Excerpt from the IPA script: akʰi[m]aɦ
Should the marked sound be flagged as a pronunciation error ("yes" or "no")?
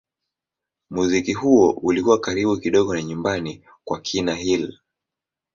yes